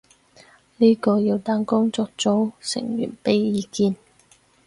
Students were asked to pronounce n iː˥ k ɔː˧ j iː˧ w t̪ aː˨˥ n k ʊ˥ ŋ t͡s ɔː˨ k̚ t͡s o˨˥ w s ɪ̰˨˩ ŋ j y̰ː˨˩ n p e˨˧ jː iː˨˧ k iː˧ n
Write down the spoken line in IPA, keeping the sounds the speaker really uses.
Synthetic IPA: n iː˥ k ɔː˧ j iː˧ w t̪ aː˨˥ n k ʊ˥ ŋ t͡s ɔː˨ k̚ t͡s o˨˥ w s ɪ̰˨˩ ŋ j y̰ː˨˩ n p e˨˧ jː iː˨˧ k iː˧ n